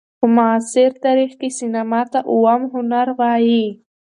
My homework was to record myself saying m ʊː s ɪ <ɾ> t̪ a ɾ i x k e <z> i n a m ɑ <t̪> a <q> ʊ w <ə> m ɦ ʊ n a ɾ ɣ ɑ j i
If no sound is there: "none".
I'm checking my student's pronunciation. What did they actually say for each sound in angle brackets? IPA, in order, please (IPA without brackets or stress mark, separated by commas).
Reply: ɾ, s, t̪, ʔ, a